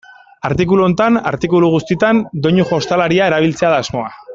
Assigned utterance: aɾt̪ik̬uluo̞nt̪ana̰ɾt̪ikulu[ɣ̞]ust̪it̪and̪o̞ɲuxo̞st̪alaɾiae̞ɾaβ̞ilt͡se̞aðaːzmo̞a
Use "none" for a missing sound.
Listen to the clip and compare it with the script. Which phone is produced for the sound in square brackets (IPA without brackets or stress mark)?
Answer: ɣ̞